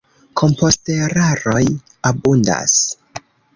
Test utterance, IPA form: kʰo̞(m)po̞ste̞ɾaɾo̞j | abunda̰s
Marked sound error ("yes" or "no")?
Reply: no